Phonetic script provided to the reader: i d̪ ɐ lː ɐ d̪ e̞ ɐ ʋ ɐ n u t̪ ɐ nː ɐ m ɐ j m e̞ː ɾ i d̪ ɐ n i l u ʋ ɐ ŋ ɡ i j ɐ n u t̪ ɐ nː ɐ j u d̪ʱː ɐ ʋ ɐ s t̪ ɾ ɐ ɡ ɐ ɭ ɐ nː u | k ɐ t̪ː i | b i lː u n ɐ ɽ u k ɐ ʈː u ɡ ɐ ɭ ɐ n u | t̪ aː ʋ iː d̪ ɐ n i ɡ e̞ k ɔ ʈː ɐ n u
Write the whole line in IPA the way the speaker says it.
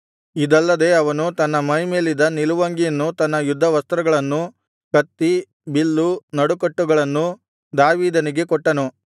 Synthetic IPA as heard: i d̪ ɐ lː ɐ d̪ e̞ ɐ ʋ ɐ n u t̪ ɐ nː ɐ m ɐ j m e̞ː l i d̪ ɐ n i l u ʋ ɐ ŋ ɡ i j ɐ nː u t̪ ɐ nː ɐ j u d̪ʱː ɐ ʋ ɐ s t̪ ɾ ɐ ɡ ɐ ɭ ɐ nː u | k ɐ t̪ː i | b i lː u n ɐ ɽ u k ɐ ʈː u ɡ ɐ ɭ ɐ nː u | d̪ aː ʋ iː d̪ ɐ n i ɡ e̞ k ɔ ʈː ɐ n u